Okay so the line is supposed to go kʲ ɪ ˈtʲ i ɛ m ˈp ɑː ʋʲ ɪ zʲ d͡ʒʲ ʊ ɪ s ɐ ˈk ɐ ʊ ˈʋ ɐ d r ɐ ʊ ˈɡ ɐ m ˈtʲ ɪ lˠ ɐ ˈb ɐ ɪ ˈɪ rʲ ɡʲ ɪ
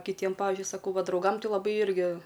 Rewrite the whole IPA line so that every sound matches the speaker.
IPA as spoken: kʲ ɪ ˈtʲ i ɛ m ˈp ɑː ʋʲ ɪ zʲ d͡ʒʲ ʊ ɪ s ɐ ˈk ɐ ʊ ˈʋ ɐ d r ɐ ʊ ˈɡ ɐ m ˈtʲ ɪ lˠ ɐ ˈb ɐ ɪ ˈɪ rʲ ɡʲ ɪ